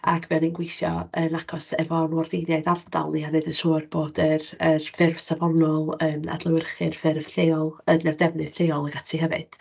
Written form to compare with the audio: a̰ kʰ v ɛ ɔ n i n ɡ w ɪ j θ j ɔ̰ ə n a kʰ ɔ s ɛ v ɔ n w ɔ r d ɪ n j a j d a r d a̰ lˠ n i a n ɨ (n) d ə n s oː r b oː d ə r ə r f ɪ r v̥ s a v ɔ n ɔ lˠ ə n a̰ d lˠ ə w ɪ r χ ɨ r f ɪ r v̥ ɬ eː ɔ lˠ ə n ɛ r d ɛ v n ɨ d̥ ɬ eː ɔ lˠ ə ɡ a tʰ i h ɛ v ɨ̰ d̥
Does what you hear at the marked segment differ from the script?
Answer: yes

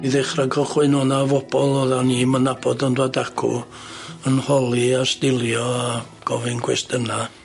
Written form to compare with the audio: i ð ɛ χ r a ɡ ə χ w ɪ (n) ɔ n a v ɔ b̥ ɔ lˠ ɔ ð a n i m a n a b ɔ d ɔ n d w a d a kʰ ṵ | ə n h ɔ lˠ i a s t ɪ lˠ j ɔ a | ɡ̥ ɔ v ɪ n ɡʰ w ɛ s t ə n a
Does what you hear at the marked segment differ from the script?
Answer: no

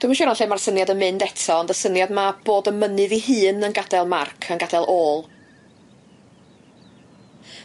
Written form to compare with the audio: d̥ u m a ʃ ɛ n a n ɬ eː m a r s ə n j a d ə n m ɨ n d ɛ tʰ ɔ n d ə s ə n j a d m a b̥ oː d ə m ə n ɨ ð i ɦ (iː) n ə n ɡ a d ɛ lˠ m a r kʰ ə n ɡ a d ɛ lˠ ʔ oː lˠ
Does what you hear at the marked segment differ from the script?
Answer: yes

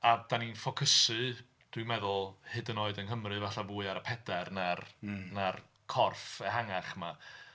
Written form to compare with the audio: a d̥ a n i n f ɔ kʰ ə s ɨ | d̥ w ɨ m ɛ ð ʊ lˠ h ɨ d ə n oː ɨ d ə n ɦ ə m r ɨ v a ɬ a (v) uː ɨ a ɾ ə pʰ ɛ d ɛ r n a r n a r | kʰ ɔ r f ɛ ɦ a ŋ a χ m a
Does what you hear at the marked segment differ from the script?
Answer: no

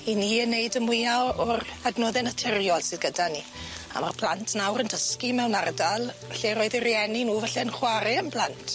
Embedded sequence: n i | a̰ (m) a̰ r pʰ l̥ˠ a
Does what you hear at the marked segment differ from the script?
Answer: no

